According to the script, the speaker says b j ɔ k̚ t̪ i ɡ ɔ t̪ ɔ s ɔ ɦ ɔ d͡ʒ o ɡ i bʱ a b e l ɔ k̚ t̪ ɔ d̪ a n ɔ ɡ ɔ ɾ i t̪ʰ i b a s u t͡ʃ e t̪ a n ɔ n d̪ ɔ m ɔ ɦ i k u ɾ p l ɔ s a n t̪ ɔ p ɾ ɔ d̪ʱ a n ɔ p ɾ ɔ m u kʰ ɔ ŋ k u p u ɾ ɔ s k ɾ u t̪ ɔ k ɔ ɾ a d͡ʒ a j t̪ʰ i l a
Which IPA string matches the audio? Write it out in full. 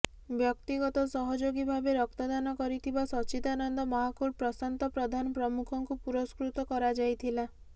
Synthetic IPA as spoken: b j ɔ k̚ t̪ i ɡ ɔ t̪ ɔ s ɔ ɦ ɔ d͡ʒ o ɡ i bʱ a b e ɾ ɔ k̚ t̪ ɔ d̪ a n ɔ k ɔ ɾ i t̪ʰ i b a s ɔ t͡ʃ i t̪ a n ɔ n d̪ ɔ m ɔ ɦ a k u ɾ p ɾ ɔ s a n t̪ ɔ p ɾ ɔ d̪ʱ a n ɔ p ɾ ɔ m u kʰ ɔ ŋ k u p u ɾ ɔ s k ɾ u t̪ ɔ k ɔ ɾ a d͡ʒ a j t̪ʰ i l a